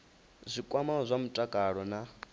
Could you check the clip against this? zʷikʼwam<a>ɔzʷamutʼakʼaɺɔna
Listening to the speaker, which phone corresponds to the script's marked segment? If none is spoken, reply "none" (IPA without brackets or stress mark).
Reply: a